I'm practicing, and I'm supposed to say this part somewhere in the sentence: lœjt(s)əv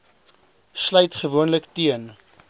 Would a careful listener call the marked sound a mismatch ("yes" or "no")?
yes